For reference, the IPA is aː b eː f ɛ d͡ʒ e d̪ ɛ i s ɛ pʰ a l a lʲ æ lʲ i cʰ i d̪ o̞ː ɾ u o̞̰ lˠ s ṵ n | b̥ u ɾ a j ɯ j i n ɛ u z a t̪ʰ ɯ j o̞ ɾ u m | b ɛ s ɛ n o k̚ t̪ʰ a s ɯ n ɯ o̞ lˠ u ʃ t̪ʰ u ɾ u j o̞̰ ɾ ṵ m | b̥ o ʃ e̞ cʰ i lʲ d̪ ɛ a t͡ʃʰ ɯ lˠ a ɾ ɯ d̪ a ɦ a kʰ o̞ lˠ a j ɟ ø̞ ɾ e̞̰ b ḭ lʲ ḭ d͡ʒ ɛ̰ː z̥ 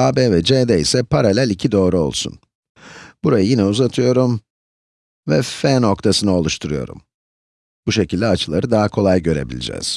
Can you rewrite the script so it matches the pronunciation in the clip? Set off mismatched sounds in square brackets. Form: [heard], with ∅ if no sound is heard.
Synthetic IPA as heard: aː b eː [v] ɛ d͡ʒ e d̪ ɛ i s ɛ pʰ a [ɾ] a lʲ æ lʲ i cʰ i d̪ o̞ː ɾ u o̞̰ lˠ s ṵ n | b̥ u ɾ a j ɯ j i n ɛ u z a t̪ʰ ɯ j o̞ ɾ u m | [v] ɛ [f] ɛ n o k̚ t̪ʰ a s ɯ n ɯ o̞ lˠ u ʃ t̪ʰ u ɾ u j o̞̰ ɾ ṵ m | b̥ [u] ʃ e̞ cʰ i lʲ d̪ ɛ a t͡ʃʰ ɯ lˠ a ɾ ɯ d̪ a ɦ a kʰ o̞ lˠ a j ɟ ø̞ ɾ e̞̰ b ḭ lʲ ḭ d͡ʒ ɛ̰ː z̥